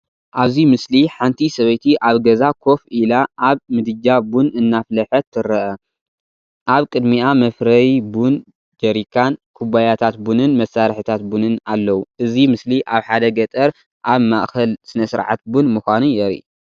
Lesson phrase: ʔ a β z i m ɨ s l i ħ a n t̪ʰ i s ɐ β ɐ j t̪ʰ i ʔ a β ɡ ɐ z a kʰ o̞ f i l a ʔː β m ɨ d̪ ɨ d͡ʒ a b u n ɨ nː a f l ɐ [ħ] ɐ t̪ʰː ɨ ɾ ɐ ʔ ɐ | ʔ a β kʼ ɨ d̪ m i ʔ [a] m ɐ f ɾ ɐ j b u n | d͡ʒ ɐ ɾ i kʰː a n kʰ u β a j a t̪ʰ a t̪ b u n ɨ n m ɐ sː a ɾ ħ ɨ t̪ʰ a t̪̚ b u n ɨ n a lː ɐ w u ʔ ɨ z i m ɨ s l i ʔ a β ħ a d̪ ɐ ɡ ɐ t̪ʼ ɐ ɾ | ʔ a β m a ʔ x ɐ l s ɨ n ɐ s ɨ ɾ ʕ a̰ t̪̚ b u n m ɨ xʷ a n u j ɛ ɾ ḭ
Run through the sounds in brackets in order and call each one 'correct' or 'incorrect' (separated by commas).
correct, correct